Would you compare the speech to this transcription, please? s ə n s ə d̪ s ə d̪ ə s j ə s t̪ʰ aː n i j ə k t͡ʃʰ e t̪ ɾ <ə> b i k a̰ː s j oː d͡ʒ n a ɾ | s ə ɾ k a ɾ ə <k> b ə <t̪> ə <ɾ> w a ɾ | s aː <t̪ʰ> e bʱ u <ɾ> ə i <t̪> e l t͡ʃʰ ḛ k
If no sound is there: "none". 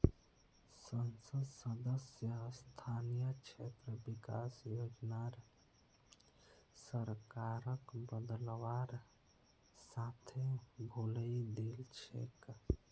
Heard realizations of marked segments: ə, k, d̪, l, t̪ʰ, l, d̪

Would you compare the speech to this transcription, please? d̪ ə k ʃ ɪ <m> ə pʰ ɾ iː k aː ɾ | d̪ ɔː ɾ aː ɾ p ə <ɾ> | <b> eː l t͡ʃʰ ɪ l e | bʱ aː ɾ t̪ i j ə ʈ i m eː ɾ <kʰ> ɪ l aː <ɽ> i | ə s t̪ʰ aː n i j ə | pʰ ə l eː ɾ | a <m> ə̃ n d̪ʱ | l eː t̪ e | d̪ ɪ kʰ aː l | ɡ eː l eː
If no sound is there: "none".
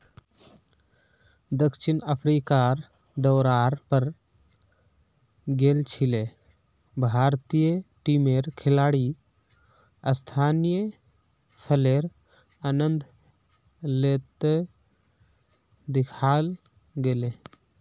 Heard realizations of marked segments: n, ɾ, ɡ, kʰ, ɽ, n

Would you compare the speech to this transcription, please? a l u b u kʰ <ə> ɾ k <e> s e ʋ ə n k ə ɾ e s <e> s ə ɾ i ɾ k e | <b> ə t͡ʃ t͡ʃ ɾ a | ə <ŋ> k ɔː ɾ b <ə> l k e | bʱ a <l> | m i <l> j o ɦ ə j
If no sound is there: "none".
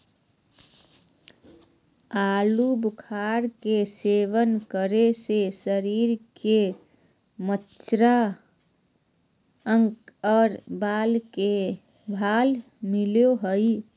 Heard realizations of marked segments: a, e, e, m, ŋ, a, l, l

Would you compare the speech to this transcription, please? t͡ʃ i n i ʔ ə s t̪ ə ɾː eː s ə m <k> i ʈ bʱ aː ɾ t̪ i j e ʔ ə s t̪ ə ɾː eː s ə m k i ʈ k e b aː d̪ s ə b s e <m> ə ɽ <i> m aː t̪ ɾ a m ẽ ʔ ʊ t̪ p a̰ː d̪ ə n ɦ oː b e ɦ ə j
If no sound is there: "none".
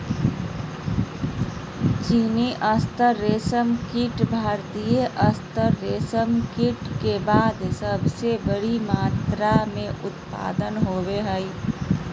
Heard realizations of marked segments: k, b, i

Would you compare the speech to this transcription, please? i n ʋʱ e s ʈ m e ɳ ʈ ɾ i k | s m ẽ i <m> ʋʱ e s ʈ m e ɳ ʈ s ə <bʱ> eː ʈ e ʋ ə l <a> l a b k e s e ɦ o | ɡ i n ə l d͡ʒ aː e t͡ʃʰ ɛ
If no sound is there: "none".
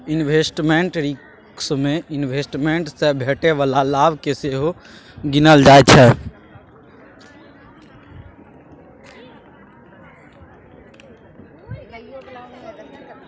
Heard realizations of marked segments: n, bʱ, a

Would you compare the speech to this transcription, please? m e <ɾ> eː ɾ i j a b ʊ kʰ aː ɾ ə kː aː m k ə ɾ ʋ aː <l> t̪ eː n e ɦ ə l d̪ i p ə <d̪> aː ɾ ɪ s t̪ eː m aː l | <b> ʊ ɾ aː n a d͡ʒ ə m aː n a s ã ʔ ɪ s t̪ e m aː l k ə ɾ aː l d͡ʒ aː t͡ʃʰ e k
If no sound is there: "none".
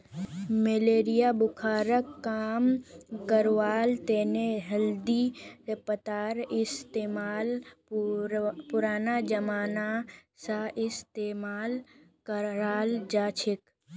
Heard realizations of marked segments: l, l, t̪, p

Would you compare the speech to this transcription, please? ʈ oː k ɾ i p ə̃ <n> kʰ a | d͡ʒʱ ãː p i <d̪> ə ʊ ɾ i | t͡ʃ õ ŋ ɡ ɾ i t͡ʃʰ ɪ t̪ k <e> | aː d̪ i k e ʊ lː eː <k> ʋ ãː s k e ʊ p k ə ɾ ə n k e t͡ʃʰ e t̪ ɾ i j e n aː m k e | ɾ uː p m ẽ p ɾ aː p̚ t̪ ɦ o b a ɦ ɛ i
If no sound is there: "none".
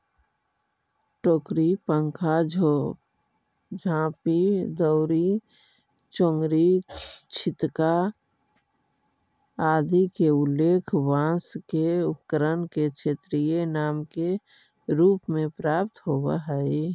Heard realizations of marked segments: ŋ, d̪, a, kʰ

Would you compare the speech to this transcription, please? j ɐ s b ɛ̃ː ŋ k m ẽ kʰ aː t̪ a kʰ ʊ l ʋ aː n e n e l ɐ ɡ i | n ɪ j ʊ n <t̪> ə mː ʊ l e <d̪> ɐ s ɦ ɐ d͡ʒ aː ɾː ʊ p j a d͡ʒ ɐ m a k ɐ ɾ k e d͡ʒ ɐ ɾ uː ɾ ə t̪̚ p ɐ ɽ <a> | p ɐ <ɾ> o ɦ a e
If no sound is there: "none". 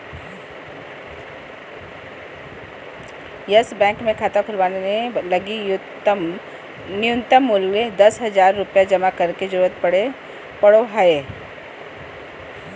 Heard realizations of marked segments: t̪, d̪, e, ɽ

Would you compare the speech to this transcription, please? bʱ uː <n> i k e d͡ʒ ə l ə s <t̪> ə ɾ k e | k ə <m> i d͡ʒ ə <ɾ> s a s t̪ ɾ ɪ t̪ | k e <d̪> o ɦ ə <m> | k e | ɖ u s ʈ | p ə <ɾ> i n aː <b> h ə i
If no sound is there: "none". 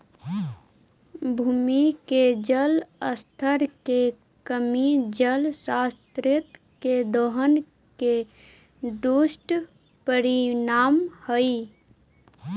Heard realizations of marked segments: m, t̪ʰ, m, l, d̪, n, ɾ, m

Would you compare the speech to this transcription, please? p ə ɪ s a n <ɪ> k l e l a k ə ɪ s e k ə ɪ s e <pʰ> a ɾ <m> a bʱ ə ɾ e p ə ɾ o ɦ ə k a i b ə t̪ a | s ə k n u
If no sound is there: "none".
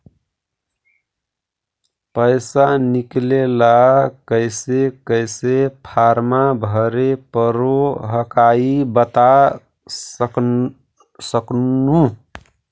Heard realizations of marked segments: i, pʰ, m

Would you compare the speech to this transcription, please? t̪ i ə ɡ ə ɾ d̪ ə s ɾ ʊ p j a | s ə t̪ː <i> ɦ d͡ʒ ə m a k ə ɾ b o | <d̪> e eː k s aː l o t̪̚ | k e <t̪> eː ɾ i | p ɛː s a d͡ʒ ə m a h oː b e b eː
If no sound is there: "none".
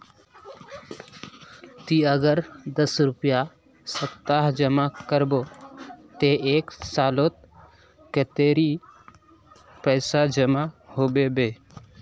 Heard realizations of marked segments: a, t̪, t̪

